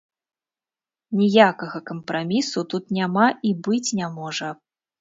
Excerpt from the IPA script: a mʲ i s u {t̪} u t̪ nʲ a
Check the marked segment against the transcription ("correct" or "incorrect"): correct